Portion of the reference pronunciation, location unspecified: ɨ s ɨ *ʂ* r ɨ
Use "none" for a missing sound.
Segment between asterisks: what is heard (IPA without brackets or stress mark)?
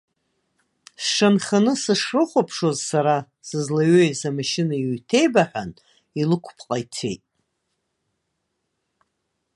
ʂ